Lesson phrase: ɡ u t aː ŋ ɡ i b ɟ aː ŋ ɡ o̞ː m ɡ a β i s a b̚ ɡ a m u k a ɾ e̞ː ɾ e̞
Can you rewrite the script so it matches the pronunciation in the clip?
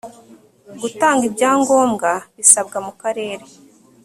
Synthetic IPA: ɡ u t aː ŋ ɡ i b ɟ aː ŋ ɡ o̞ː m ɡ a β i s a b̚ ɡ a m u k a ɾ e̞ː ɾ e̞